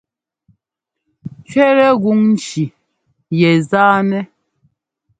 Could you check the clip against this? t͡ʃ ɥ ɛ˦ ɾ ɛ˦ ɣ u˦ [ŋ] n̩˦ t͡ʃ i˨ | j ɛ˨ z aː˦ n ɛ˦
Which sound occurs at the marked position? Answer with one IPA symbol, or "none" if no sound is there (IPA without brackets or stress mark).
ŋ